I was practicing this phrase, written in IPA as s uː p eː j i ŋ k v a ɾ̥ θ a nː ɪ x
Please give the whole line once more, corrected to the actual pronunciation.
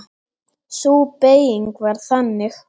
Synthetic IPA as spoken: s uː p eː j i ŋ k v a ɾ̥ θ a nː ɪ x

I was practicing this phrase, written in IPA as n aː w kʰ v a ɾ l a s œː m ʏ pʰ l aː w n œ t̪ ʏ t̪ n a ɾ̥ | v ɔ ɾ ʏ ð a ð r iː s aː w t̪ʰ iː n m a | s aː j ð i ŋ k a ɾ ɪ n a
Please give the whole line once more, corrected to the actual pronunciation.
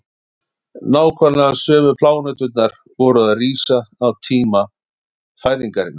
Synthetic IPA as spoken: n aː w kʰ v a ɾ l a s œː m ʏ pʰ l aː w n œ t̪ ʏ t̪ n a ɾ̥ | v ɔ ɾ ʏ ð a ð r iː s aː w t̪ʰ iː m a | f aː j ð i ŋ k a ɾ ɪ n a

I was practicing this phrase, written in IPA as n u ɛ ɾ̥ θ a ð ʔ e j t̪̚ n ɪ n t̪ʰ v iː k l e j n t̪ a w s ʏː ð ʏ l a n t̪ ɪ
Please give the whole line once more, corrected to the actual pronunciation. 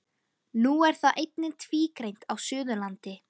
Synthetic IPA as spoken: n u ɛ ɾ̥ θ a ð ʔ e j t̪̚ n ɪ n t̪ʰ v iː k ɾ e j n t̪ a w s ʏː ð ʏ l a n t̪ ɪ

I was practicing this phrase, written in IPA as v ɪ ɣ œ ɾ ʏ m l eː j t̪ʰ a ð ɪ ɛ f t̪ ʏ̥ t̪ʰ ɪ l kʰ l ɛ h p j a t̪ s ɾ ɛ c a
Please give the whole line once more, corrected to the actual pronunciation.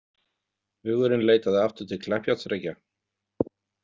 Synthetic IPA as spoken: v ɪ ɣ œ ɾ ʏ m l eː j t̪ a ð ɪ a f t̪ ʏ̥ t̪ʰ ɪ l kʰ l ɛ h p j a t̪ s ɾ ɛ c a

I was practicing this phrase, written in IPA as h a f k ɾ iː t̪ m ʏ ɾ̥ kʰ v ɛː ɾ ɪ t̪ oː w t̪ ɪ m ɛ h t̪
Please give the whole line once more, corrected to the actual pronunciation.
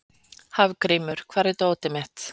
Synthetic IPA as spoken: h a v k ɾ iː m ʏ ɾ̥ kʰ v aː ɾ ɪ t̪ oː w t̪ ɪ m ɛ h t̪

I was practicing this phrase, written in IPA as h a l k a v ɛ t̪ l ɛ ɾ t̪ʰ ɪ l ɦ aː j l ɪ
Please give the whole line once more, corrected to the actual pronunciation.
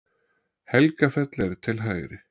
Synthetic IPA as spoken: h ɛ l k a f ɛ t̪ l ɛ ɾ t̪ʰ ɪ l ɦ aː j ɾ ɪ

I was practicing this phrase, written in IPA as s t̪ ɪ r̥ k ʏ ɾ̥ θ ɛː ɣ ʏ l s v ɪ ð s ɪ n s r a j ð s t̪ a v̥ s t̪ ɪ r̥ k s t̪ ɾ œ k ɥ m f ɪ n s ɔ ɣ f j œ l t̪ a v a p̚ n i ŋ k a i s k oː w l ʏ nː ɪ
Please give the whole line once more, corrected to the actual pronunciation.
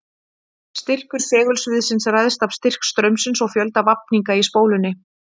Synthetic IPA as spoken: s t̪ ɪ r̥ k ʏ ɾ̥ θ ɛː ɣ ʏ l s v ɪ ð s ɪ n s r a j ð s t̪ a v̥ s t̪ ɪ r̥ k s t̪ ɾ œ ɥ m s ɪ n s ɔ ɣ f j œ l t̪ a v a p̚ n i ŋ k a i s p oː w l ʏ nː ɪ

